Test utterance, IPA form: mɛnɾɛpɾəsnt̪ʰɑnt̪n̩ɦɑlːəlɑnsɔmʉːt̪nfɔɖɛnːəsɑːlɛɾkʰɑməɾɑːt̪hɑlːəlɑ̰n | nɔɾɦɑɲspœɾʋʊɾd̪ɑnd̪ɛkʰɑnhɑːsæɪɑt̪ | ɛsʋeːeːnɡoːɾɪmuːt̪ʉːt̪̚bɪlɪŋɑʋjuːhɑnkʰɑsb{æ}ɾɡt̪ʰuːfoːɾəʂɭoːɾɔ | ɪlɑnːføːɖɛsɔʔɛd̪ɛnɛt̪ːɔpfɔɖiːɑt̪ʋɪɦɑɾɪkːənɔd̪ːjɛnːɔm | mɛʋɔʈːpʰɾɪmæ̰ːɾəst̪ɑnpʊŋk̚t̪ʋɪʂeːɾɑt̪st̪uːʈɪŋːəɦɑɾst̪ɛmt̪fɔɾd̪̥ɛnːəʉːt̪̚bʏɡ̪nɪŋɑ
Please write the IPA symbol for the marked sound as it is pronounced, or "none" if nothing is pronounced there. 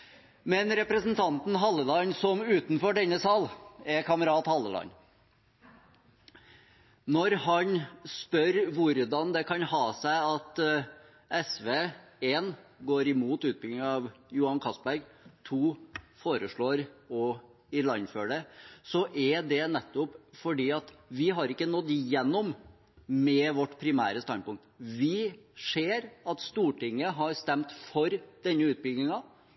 æ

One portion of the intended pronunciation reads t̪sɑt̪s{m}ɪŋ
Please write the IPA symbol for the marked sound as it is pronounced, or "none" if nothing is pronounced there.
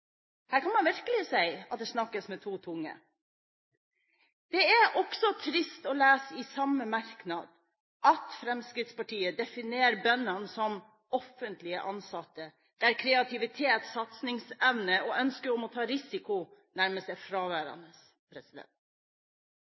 n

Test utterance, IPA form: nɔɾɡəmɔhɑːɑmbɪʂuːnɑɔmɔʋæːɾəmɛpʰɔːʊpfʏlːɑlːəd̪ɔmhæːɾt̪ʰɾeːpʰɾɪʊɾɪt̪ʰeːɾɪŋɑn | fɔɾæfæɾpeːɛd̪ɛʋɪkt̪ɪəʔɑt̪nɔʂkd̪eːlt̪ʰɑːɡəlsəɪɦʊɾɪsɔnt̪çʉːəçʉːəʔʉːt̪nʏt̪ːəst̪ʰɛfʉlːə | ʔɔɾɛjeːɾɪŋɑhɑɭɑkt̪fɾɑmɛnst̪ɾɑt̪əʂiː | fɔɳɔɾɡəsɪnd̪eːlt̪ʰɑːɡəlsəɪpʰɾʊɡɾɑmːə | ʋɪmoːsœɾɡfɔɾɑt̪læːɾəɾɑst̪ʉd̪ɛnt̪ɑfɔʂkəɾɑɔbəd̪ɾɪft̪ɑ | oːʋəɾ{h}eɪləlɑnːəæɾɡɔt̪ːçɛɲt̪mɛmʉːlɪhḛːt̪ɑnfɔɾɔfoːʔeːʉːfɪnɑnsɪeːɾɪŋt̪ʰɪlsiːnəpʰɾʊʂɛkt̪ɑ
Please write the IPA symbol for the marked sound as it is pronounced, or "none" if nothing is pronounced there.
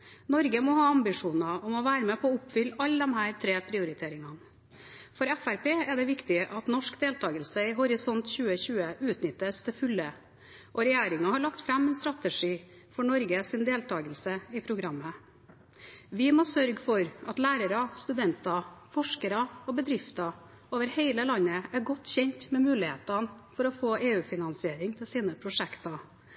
h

